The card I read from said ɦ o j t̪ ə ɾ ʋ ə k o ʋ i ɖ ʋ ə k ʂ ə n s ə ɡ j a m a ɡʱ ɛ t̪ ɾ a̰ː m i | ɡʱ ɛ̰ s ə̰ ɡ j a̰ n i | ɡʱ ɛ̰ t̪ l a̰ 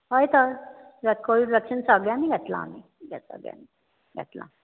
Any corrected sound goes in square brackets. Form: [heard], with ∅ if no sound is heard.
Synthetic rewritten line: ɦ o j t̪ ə ɾ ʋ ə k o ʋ i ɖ ʋ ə k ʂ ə n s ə ɡ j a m [i] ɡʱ ɛ t̪ [l] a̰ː m i | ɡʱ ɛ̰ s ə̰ ɡ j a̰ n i | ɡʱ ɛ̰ t̪ l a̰

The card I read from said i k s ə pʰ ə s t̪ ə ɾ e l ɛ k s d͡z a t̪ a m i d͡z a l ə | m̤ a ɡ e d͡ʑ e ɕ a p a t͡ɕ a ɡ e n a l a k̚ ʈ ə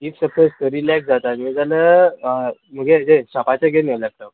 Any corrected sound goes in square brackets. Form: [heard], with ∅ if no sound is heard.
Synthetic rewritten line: i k s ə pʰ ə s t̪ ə ɾ [i] l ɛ k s d͡z a t̪ a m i d͡z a l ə | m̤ [ə] ɡ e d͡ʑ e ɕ a p a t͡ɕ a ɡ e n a l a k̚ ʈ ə

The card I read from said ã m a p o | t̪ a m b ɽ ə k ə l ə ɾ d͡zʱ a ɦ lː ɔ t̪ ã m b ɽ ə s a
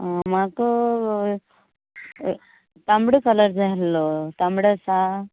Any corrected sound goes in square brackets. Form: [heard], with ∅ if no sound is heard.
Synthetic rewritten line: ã m a [k] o | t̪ a m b ɽ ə k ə l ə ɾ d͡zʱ a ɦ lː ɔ t̪ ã m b ɽ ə s a

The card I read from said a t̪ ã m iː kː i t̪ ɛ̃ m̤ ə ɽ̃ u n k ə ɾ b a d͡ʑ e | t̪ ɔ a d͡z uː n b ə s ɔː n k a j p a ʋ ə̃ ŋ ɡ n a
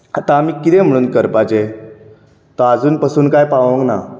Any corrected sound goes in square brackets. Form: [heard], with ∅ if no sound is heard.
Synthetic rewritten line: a t̪ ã m iː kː i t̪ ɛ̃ m̤ ə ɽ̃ [uː] n k ə ɾ [p] a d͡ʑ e | t̪ ɔ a d͡z uː n [p] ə s [uː] n k a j p a ʋ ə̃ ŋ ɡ n a

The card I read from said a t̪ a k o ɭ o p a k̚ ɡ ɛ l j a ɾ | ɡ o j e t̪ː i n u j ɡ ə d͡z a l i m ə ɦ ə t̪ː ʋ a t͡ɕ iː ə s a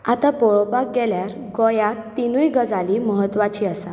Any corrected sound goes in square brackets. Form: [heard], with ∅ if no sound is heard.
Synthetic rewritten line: a t̪ a [p] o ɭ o p a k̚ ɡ ɛ l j a ɾ | ɡ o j [a] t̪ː i n u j ɡ ə d͡z a l i m ə ɦ ə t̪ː ʋ a t͡ɕ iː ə s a

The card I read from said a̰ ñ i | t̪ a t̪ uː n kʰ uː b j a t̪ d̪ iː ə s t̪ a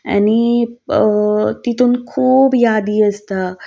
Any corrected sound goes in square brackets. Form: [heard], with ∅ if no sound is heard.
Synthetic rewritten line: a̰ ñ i | t̪ [i] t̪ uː n kʰ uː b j a [∅] d̪ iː ə s t̪ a

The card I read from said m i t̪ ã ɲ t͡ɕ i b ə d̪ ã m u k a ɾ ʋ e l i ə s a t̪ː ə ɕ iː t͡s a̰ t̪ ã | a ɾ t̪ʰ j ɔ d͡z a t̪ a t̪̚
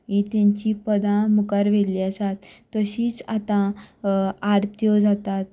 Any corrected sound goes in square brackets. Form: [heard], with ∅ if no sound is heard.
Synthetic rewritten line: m i t̪ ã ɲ t͡ɕ i [p] ə d̪ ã m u k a ɾ ʋ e l i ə s a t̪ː ə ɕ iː t͡s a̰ t̪ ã | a ɾ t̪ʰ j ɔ d͡z a t̪ a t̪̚

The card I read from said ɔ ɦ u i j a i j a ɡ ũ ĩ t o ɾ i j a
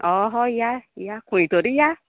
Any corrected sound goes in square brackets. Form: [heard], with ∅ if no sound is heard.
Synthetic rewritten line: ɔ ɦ [ɔ] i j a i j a [k] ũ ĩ t o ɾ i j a

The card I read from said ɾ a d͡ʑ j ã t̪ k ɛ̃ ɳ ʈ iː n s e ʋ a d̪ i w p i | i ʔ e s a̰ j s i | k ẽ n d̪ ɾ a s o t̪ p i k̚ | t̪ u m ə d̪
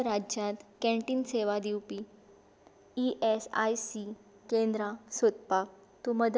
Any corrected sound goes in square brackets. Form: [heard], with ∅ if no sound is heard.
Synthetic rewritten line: ɾ a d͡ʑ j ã t̪ k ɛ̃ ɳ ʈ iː n s e ʋ a d̪ i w p i | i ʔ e s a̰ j s i | k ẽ n d̪ ɾ a s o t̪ p [a] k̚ | t̪ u m ə d̪

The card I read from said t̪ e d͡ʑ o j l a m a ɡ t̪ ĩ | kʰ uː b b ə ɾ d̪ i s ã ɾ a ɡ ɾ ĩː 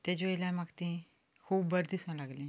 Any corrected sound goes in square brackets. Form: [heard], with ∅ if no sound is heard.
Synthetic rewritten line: t̪ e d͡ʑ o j l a m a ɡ t̪ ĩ | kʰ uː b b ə ɾ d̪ i s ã [l] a ɡ [l] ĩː

